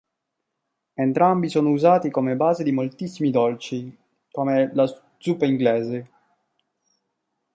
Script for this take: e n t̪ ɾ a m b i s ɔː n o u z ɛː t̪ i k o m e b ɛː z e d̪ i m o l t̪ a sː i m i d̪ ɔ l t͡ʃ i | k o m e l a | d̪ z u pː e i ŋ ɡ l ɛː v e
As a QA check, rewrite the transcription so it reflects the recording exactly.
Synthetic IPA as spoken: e n t̪ ɾ a m b i s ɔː n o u z aː t̪ i k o m e b aː z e d̪ i m o l t̪ i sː i m i d̪ ɔ l t͡ʃ i | k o m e l a | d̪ z u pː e i ŋ ɡ l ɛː z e